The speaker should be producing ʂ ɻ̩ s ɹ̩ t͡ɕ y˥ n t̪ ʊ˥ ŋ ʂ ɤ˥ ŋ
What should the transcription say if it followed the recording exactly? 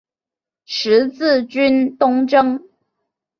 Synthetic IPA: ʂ ɻ̩ t͡s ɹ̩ t͡ɕ y˥ n t̪ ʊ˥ ŋ ʈ͡ʂ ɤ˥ ŋ

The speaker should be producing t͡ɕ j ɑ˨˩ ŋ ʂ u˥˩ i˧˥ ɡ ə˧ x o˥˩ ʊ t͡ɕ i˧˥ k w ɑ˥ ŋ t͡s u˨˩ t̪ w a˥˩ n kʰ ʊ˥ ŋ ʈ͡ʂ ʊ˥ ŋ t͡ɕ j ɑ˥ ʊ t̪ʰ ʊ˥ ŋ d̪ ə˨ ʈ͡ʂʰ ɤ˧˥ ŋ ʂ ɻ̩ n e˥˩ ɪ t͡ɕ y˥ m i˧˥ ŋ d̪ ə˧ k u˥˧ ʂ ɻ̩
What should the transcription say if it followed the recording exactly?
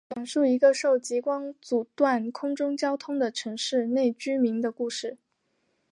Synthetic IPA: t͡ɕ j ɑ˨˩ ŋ ʂ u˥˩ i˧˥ ɡ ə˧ ʂ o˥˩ ʊ t͡ɕ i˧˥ k w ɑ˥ ŋ t͡s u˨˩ t̪ w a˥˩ n kʰ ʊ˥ ŋ ʈ͡ʂ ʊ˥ ŋ t͡ɕ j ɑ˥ ʊ t̪ʰ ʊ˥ ŋ d̪ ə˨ ʈ͡ʂʰ ɤ˧˥ ŋ ʂ ɻ̩ n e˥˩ ɪ t͡ɕ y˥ m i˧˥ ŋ d̪ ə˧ k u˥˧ ʂ ɻ̩

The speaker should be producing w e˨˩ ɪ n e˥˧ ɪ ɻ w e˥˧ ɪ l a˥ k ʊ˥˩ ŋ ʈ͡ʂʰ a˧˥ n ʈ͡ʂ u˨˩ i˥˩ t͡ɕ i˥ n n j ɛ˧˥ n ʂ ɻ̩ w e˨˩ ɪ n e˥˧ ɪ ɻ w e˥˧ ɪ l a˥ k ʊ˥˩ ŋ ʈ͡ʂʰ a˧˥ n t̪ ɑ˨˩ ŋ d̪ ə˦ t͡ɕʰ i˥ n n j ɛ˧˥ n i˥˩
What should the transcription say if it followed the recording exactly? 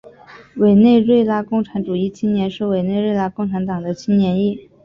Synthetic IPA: w e˨˩ ɪ n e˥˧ ɪ ɻ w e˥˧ ɪ l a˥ k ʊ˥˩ ŋ ʈ͡ʂʰ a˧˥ n ʈ͡ʂ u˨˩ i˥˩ t͡ɕʰ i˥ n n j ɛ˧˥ n ʂ ɻ̩ w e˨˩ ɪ n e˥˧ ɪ ɻ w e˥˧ ɪ l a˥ k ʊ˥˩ ŋ ʈ͡ʂʰ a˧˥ n t̪ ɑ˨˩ ŋ d̪ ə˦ t͡ɕʰ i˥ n n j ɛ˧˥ n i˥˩

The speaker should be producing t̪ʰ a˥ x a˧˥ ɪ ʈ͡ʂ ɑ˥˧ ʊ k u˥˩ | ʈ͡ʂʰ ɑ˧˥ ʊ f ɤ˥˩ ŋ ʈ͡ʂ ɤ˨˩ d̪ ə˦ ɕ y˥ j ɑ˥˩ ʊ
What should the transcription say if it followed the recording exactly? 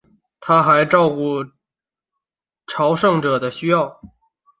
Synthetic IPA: t̪ʰ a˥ x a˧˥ ɪ ʈ͡ʂ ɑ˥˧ ʊ k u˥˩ | ʈ͡ʂʰ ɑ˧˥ ʊ ʂ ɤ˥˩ ŋ ʈ͡ʂ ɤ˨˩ d̪ ə˦ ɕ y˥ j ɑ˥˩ ʊ

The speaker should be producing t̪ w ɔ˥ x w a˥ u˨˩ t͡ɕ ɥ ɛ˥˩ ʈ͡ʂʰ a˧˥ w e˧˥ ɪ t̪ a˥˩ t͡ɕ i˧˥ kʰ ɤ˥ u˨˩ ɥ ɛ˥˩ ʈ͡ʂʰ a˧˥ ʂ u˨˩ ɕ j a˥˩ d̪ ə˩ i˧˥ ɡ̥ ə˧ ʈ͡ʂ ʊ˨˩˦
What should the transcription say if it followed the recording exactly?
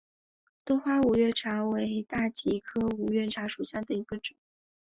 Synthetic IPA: t̪ w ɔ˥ x w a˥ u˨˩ ɥ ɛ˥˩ ʈ͡ʂʰ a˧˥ w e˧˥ ɪ t̪ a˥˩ t͡ɕ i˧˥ kʰ ɤ˥ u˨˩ ɥ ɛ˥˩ ʈ͡ʂʰ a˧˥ ʂ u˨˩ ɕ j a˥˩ d̪ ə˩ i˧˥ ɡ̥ ə˧ ʈ͡ʂ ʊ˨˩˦

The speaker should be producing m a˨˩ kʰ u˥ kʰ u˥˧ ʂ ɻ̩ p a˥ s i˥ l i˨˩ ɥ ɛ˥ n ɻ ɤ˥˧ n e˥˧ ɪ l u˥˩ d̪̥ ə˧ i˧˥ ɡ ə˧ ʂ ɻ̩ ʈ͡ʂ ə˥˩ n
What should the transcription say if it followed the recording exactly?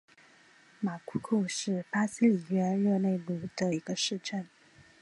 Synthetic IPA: m a˨˩ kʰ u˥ kʰ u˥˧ ʂ ɻ̩ p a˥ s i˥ l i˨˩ ɥ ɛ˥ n ɻ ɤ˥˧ n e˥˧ ɪ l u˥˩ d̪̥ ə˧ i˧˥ ɡ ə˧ ʂ ɻ̩ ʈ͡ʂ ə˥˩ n

